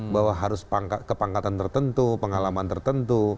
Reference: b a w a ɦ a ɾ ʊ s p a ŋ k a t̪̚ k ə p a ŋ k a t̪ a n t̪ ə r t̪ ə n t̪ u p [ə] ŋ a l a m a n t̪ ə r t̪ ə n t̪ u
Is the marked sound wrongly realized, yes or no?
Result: no